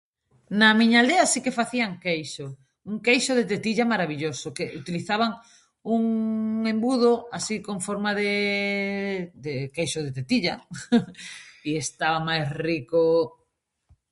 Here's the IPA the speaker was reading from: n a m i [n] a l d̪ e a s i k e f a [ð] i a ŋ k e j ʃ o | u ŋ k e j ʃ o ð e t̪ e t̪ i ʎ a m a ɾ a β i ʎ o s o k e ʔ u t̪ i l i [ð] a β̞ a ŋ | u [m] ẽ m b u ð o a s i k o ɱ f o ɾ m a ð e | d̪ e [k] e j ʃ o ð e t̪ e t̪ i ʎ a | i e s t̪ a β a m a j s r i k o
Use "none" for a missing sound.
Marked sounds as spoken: ɲ, θ, θ, ŋ, k

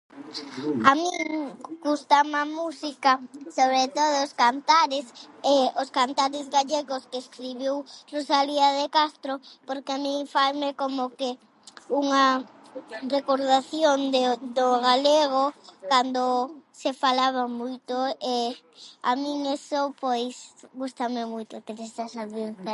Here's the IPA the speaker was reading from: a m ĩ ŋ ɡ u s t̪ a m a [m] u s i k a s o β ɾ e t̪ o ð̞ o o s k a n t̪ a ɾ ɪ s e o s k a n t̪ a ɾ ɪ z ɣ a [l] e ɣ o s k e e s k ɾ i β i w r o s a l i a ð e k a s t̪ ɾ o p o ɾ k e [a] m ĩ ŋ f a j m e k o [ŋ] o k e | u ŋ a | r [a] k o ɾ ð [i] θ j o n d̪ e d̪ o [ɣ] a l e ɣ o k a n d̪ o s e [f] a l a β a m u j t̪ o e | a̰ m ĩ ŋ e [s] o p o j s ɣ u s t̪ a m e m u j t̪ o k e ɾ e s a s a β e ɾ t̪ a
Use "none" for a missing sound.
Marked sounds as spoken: m, ʎ, a, m, e, a, ɣ, f, s

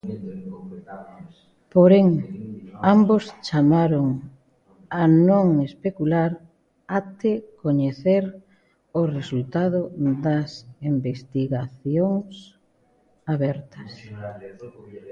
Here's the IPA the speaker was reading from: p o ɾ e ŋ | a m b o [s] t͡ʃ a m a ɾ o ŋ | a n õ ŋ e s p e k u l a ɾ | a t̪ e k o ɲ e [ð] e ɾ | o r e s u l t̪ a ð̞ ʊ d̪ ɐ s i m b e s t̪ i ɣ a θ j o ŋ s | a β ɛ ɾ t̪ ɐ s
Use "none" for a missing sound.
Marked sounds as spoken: s, θ

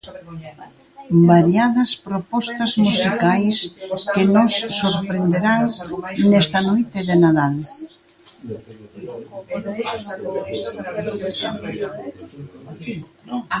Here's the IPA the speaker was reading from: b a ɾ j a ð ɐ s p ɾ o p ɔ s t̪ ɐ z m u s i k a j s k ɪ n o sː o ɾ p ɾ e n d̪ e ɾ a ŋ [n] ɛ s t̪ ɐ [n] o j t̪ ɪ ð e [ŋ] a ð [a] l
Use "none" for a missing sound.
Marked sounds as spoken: n, n, n, a

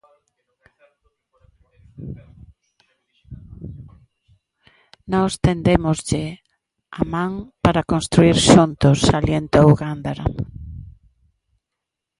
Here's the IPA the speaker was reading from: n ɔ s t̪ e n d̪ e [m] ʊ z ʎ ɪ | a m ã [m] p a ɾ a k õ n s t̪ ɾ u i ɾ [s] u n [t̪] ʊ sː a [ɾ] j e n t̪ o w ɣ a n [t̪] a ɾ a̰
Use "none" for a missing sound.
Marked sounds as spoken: m, ŋ, ʃ, t̪, l, d̪

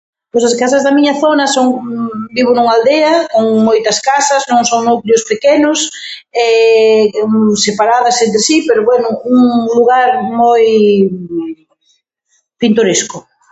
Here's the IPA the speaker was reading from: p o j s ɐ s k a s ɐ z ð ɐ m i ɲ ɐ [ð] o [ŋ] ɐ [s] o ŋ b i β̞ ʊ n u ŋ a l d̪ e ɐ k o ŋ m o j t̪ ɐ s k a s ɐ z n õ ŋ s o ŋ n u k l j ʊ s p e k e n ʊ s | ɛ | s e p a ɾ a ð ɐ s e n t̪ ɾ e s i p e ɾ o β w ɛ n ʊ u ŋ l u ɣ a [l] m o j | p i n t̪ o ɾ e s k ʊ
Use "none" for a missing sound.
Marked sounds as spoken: θ, n, s, ɾ

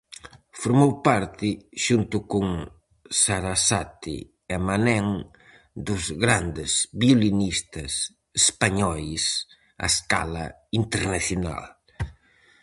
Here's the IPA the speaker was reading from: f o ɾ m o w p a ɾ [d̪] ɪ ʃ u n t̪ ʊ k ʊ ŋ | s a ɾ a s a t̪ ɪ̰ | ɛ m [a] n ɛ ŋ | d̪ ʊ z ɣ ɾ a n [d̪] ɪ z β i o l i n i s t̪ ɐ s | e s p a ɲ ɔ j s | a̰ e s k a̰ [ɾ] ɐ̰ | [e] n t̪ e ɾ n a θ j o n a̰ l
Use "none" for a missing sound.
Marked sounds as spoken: t̪, a, d̪, l, i

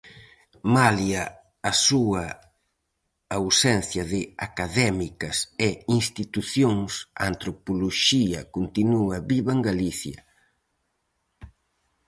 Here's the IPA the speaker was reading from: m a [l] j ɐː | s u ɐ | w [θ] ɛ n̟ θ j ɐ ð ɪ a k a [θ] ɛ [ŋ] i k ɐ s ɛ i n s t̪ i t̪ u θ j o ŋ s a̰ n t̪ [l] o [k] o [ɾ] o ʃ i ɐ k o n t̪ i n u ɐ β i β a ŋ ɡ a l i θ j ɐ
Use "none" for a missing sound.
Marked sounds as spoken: l, s, ð, m, ɾ, p, l

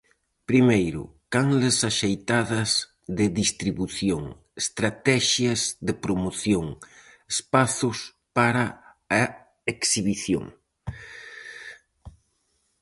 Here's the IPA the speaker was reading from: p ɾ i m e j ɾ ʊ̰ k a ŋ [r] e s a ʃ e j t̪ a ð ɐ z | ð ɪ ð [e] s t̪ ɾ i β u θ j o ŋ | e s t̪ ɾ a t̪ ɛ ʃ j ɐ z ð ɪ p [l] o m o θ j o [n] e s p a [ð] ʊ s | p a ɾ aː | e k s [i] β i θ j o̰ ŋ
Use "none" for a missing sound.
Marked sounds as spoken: l, i, ɾ, ŋ, θ, i

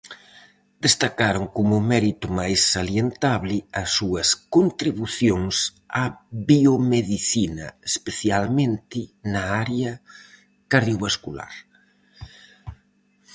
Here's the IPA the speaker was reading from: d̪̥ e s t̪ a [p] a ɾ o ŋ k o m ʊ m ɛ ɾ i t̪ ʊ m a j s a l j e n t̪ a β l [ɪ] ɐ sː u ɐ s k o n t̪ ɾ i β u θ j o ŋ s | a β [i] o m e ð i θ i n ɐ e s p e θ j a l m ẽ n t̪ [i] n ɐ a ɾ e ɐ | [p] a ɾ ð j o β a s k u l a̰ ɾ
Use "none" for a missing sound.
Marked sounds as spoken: k, ɪ, i, ɪ, k

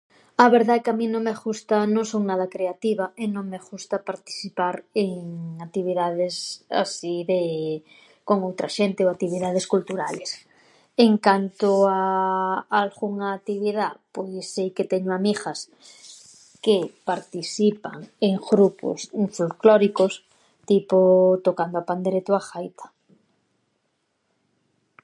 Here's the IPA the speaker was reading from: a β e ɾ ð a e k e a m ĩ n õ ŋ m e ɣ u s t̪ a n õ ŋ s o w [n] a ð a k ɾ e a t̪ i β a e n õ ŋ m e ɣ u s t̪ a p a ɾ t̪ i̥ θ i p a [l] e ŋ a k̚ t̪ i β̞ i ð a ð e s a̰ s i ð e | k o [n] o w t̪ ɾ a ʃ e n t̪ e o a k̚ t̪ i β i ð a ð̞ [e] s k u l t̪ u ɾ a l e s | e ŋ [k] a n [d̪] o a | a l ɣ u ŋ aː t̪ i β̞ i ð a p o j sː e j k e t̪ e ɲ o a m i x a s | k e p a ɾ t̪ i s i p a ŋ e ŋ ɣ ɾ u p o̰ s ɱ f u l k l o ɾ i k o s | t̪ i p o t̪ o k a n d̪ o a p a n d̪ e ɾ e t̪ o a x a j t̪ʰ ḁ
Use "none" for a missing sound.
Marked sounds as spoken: n, ɾ, ŋ, e, k, t̪

